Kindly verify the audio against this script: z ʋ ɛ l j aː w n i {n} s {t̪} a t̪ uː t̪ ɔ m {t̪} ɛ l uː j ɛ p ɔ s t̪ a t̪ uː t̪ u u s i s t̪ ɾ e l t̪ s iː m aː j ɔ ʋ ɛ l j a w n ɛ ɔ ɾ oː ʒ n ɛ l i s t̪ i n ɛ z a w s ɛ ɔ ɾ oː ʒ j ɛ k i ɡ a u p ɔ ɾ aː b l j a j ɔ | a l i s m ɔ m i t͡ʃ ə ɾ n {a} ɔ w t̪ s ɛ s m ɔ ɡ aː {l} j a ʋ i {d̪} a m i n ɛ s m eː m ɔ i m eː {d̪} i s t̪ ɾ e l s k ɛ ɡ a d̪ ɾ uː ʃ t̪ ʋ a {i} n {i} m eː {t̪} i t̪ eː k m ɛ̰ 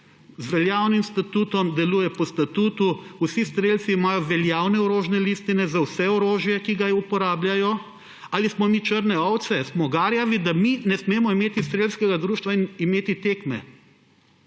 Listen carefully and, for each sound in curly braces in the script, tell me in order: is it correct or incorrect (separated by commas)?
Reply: incorrect, correct, incorrect, incorrect, incorrect, correct, incorrect, correct, correct, correct